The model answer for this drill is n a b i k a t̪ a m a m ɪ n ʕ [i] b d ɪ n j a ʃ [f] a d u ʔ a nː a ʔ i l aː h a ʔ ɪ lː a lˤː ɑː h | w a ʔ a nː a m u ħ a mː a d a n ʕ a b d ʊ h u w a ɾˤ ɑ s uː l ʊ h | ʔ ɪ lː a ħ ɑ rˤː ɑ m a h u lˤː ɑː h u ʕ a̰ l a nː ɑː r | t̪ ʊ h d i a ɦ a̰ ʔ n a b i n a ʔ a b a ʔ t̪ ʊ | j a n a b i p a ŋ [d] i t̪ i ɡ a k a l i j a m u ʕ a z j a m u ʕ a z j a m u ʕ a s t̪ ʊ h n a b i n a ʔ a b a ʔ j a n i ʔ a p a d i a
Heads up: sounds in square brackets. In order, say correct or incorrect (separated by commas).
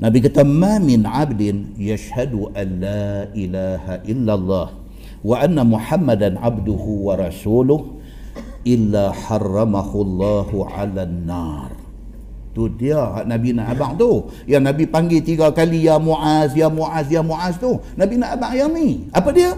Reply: incorrect, incorrect, incorrect